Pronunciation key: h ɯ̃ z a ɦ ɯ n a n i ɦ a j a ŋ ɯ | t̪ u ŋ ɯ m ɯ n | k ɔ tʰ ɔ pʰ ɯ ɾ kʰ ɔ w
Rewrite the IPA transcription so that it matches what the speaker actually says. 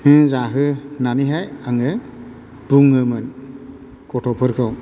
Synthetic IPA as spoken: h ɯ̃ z a ɦ ɯ n a n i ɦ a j a ŋ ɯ | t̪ u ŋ ɯ m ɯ n | k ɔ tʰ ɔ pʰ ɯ ɾ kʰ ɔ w